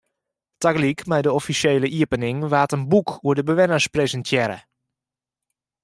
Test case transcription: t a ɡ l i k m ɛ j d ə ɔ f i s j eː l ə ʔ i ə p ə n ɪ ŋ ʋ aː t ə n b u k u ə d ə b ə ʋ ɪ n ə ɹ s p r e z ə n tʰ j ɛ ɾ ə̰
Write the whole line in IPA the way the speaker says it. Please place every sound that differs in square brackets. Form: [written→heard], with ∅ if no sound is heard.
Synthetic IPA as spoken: t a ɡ l i k m ɛ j d ə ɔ f i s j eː l ə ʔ i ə p ə n ɪ ŋ ʋ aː t ə n b u k u ə d ə b ə ʋ ɪ n ə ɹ s p r e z ə n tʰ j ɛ ɾ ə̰